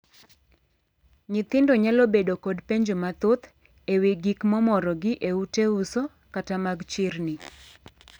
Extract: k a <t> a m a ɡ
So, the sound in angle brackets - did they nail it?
yes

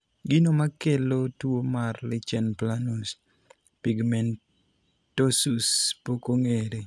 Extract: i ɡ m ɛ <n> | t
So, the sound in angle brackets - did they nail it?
yes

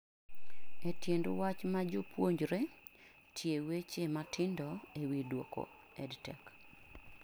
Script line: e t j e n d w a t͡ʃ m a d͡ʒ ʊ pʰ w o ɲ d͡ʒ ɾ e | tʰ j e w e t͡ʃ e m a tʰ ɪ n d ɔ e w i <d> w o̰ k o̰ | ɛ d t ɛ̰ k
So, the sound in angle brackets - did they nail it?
yes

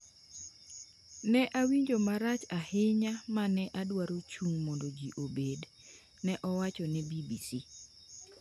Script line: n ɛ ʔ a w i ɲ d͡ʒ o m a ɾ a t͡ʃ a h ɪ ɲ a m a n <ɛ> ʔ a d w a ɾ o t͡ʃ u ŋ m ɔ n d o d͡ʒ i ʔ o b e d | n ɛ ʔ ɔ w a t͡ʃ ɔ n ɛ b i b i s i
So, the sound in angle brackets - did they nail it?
yes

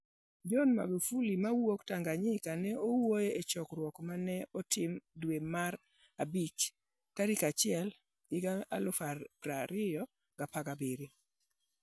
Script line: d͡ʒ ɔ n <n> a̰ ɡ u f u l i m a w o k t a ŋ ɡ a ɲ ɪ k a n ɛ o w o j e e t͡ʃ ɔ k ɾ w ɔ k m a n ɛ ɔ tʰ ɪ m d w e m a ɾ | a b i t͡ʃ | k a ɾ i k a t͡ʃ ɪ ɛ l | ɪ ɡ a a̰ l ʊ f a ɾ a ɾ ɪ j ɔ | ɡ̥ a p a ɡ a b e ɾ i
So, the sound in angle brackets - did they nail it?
no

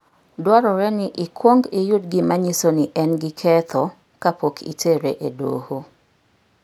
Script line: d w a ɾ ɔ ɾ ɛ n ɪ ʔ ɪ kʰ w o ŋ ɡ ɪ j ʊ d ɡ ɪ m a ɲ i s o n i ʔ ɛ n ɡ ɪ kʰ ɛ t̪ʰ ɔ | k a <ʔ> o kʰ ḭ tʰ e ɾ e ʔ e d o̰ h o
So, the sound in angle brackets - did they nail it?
no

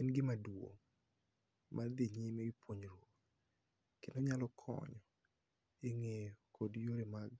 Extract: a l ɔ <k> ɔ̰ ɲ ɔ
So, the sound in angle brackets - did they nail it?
no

